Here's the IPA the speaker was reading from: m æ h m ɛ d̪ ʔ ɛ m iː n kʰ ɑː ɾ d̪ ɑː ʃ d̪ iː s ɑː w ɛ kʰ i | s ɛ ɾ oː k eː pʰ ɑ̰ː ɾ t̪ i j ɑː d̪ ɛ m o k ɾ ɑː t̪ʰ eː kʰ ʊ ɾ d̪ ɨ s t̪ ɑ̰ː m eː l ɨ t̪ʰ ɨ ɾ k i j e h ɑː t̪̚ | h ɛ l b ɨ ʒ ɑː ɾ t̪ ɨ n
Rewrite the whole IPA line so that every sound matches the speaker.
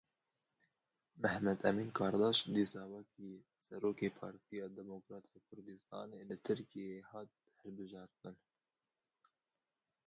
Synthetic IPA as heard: m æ h m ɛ d̪ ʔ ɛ m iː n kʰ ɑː ɾ d̪ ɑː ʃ d̪ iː s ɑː w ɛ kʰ i | s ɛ ɾ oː k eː pʰ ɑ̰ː ɾ t̪ i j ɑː d̪ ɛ m o k ɾ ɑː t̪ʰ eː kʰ ʊ ɾ d̪ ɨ s t̪ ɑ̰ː n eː l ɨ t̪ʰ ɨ ɾ k i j e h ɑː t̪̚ | h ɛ l b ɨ ʒ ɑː ɾ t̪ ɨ n